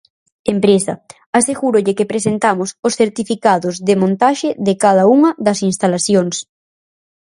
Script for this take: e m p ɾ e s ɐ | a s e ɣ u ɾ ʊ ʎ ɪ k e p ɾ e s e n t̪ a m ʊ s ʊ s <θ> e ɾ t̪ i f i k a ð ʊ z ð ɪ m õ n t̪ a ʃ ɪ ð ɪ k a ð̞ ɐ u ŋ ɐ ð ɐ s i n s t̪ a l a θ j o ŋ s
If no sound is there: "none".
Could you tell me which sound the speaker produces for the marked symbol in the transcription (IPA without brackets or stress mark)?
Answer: θ